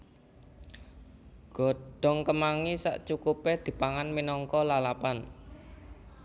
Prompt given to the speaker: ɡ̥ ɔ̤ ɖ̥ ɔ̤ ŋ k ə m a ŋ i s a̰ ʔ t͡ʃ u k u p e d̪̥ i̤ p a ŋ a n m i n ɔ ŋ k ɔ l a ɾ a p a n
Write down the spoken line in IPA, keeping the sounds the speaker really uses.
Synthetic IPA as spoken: ɡ̥ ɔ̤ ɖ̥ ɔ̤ ŋ k ə m a ŋ i s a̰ ʔ t͡ʃ u k u p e d̪̥ i̤ p a ŋ a n m i n ɔ ŋ k ɔ l a l a p a n